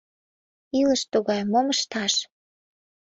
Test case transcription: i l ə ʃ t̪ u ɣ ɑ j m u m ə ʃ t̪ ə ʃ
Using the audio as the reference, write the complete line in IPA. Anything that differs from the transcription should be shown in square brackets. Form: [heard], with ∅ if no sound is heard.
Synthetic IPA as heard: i l ə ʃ t̪ u ɣ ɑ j m [o] m ə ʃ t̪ [ɑ] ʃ